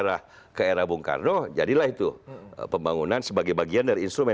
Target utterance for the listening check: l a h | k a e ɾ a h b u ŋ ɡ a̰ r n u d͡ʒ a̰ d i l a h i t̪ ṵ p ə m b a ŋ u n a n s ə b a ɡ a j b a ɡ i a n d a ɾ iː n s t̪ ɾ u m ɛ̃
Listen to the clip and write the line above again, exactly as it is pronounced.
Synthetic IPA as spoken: ɾ a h | k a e ɾ a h b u ŋ k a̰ r n o d͡ʒ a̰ d i l a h i t̪ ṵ p ə m b a ŋ u n a n s ə b a ɡ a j b a ɡ i a n d a ɾ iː n s t̪ ɾ u m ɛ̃